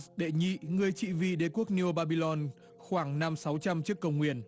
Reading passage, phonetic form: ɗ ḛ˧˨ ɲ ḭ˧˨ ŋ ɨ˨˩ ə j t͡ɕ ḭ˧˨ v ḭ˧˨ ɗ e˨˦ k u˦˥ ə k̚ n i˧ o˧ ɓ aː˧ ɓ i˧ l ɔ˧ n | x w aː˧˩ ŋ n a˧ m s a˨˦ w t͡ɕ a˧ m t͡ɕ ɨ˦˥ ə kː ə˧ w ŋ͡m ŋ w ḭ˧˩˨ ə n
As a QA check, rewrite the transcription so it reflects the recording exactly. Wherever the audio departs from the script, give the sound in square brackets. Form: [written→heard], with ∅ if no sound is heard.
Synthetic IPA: ɗ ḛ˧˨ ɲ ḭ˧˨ ŋ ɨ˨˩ ə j t͡ɕ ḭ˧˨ v ḭ˧˨ ɗ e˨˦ k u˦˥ ə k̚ n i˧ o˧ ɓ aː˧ ɓ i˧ l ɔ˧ n | x w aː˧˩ ŋ n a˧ m s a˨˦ w t͡ɕ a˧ m t͡ɕ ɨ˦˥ ə kː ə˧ w ŋ͡m ŋ w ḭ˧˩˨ ə n